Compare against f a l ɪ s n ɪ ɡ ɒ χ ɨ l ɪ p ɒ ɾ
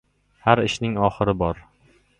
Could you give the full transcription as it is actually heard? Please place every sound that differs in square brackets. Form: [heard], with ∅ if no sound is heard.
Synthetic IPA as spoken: [h] a [ɾ] ɪ [ʃ] n ɪ [ŋ] ɒ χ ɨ [ɾ] ɪ [b] ɒ ɾ